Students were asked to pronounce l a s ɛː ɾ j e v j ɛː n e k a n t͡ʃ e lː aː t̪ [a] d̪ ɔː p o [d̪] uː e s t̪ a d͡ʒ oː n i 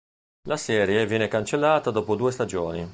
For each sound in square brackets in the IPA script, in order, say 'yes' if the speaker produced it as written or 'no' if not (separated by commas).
yes, yes